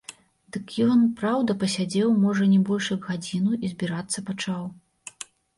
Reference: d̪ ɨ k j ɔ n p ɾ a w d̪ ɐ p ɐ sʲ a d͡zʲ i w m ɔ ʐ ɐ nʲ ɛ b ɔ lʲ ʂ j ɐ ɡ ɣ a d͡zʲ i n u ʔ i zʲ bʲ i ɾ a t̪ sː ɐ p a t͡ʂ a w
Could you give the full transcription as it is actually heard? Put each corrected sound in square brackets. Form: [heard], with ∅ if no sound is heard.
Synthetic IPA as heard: d̪ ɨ k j ɔ n p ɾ a w d̪ ɐ p ɐ sʲ a d͡zʲ [ɛ] w m ɔ ʐ ɐ nʲ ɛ b ɔ lʲ ʂ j ɐ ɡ ɣ a d͡zʲ i n u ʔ i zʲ bʲ i ɾ a t̪ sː ɐ p a t͡ʂ a w

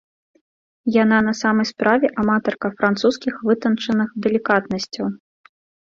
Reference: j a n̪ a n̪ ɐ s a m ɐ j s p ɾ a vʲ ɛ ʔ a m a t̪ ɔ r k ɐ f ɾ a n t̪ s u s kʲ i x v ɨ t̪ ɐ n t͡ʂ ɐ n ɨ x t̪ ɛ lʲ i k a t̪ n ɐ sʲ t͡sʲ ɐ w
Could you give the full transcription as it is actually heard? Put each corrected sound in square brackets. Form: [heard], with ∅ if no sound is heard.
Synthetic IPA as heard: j a n̪ a n̪ ɐ s a m ɐ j s p ɾ a vʲ ɛ ʔ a m a t̪ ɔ r k ɐ f ɾ a n t̪ s u s kʲ i x v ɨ t̪ ɐ n t͡ʂ ɐ n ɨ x [d̪] ɛ lʲ i k a t̪ n ɐ sʲ t͡sʲ ɐ w

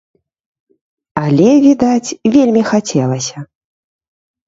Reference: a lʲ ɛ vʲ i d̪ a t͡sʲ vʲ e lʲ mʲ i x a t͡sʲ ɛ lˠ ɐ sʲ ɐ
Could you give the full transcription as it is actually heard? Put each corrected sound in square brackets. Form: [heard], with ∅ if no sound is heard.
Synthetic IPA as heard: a lʲ ɛ vʲ i d̪ a t͡sʲ vʲ e lʲ mʲ i x a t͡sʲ ɛ lˠ ɐ sʲ ɐ

